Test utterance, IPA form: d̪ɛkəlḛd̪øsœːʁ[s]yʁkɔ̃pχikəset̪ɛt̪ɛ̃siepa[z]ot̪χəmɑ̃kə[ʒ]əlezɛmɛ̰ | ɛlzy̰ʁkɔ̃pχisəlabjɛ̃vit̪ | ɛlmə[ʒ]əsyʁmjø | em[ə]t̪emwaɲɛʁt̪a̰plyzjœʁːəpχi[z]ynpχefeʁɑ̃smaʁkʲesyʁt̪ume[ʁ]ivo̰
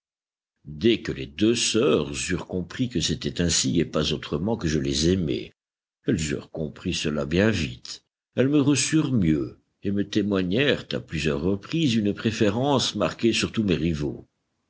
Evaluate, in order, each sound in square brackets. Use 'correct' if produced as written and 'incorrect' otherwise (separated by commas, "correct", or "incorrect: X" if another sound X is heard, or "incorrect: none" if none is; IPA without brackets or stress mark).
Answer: incorrect: z, correct, correct, incorrect: ʁ, correct, correct, correct